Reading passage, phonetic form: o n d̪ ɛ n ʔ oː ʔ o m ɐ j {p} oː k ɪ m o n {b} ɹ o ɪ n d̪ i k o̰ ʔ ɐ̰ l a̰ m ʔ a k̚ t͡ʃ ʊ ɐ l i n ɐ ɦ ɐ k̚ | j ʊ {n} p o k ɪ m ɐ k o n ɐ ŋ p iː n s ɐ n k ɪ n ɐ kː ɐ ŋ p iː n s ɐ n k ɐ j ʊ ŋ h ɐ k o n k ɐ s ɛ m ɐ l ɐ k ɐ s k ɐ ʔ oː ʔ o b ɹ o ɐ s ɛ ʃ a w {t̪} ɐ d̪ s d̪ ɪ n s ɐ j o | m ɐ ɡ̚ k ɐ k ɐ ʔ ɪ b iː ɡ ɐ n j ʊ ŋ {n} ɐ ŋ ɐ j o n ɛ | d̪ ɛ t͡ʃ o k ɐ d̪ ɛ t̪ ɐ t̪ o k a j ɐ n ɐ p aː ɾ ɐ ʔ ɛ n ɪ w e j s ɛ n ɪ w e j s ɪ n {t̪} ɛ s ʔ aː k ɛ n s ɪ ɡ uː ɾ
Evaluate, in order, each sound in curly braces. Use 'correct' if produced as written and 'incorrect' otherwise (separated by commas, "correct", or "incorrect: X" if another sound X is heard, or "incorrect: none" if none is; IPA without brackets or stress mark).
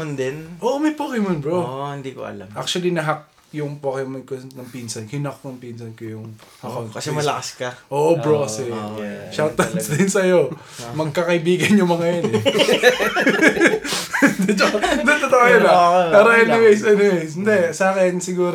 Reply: correct, correct, incorrect: ŋ, correct, incorrect: m, incorrect: d̪